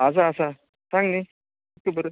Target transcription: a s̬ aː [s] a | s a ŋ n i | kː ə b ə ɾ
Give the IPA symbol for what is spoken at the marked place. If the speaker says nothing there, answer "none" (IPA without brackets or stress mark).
s